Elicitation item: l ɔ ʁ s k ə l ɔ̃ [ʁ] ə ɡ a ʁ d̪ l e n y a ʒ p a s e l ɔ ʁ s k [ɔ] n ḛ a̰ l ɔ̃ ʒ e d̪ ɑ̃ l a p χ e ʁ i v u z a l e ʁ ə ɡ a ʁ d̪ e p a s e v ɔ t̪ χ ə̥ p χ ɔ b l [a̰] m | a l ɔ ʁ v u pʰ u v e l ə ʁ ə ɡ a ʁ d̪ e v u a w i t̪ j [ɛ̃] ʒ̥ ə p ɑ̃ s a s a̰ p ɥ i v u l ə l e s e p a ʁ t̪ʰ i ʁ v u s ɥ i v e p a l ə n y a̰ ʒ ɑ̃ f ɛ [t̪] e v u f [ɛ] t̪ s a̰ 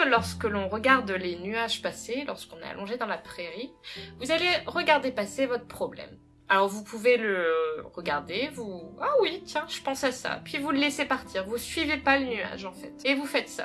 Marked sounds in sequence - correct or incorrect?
correct, incorrect, incorrect, correct, correct, correct

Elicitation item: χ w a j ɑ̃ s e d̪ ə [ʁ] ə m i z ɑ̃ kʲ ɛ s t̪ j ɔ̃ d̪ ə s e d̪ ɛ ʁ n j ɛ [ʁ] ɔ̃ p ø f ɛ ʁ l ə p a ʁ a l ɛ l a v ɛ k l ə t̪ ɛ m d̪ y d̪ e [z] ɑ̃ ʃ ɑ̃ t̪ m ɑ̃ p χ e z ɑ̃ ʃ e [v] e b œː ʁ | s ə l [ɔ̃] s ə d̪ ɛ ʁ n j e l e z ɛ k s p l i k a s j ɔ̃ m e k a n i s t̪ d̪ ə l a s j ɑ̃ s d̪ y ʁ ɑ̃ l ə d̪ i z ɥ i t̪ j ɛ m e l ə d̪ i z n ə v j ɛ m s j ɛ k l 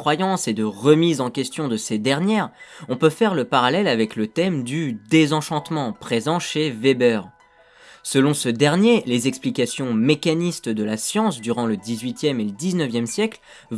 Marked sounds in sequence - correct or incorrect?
correct, correct, correct, correct, correct

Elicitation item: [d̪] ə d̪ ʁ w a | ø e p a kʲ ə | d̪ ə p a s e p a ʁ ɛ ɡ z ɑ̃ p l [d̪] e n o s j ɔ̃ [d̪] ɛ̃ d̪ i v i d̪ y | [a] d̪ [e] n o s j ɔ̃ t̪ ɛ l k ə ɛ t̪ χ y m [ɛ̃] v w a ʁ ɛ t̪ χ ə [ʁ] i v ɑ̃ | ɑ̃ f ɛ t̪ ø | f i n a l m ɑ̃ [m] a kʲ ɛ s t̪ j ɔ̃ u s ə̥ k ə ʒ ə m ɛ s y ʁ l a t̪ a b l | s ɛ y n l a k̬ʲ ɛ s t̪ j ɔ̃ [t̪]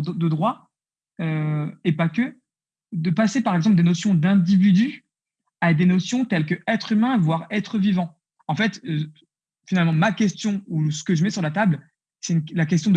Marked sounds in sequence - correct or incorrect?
correct, correct, correct, correct, correct, correct, incorrect, correct, incorrect

